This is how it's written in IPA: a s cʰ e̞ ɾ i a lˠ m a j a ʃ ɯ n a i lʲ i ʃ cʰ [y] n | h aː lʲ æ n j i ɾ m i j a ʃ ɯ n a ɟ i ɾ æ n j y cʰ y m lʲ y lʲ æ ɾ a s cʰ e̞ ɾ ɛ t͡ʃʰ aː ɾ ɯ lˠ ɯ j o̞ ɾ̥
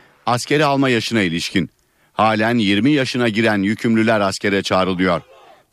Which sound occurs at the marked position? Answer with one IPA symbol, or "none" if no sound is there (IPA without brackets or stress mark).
i